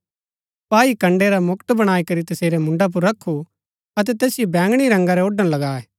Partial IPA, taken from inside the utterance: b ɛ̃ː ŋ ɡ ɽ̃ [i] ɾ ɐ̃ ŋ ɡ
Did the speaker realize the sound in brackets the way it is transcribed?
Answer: yes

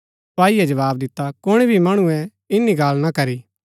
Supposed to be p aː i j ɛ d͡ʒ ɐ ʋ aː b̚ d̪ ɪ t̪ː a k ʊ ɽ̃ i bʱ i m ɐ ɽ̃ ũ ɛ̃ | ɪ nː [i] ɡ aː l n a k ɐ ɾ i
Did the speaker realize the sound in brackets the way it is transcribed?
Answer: yes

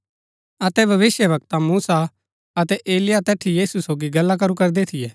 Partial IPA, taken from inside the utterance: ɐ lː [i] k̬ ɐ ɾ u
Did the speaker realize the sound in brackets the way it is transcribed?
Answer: no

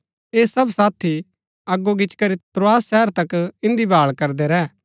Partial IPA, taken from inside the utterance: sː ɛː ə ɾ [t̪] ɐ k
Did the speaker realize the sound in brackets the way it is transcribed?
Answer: yes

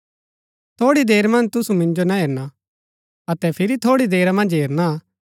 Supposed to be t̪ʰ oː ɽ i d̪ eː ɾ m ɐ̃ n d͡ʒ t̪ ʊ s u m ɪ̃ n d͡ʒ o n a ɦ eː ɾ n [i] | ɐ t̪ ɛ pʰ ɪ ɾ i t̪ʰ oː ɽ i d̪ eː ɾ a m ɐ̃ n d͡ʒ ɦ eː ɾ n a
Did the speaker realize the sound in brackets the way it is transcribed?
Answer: no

